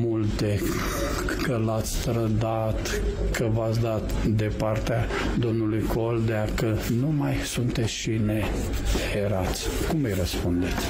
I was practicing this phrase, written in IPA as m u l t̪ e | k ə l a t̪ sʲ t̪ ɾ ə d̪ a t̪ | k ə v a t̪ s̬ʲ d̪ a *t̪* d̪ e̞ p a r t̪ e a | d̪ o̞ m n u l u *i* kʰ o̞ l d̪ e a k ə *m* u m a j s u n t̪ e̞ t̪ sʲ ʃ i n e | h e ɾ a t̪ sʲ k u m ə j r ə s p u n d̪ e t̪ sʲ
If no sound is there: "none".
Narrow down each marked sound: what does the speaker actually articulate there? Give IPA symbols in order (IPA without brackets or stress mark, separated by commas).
t̪, j, n